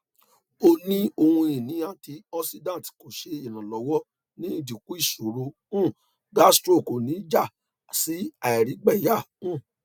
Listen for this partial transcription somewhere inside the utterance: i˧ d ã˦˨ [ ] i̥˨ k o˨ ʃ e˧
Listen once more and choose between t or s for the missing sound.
t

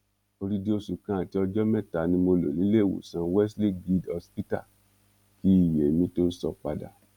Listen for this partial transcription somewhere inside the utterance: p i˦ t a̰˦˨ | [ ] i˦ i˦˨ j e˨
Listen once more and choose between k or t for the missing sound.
k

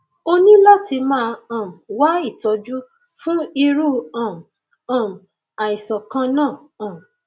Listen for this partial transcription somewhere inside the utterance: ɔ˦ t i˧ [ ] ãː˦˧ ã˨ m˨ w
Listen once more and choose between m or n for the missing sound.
m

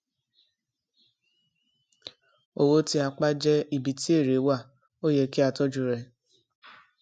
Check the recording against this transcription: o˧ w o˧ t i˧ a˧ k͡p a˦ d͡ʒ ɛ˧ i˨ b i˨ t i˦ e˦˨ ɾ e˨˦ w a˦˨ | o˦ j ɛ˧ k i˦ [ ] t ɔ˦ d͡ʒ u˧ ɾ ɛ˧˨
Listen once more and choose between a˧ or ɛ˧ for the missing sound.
a˧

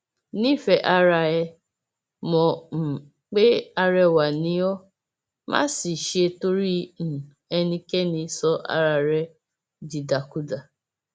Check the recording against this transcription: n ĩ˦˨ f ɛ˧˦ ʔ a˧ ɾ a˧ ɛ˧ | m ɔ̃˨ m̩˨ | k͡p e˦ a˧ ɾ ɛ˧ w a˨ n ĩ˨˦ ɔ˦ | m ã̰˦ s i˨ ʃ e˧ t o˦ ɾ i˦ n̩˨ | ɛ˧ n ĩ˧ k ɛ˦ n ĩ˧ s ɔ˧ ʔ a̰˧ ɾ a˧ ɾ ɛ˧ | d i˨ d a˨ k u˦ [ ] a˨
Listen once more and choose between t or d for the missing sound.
d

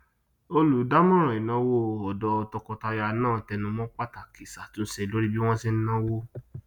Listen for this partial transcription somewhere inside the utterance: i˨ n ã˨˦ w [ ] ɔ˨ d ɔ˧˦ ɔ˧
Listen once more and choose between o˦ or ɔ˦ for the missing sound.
o˦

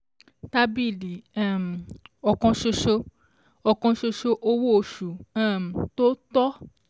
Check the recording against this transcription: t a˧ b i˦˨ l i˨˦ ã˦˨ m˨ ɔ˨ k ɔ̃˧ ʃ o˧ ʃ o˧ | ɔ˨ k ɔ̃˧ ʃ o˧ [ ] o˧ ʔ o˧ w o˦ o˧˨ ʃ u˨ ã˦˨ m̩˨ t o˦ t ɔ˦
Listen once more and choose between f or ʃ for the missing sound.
ʃ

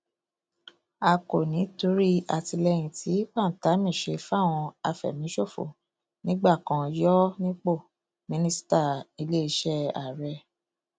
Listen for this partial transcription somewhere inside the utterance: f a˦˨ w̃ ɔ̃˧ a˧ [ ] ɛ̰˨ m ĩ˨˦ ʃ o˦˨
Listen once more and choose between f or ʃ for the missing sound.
f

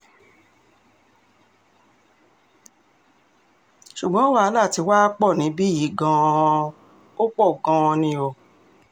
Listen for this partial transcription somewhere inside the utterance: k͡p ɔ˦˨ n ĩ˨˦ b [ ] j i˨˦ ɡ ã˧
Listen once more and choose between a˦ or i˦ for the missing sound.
i˦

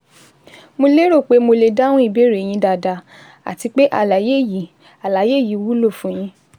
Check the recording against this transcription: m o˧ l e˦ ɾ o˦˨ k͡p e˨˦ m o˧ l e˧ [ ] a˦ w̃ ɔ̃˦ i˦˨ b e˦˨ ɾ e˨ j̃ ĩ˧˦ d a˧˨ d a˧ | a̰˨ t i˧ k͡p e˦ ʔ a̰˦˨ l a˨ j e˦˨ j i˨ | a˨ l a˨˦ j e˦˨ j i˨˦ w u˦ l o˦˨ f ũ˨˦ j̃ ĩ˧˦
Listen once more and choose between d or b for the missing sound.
d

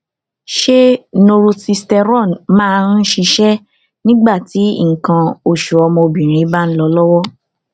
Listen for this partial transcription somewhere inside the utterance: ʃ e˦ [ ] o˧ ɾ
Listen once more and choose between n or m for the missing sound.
n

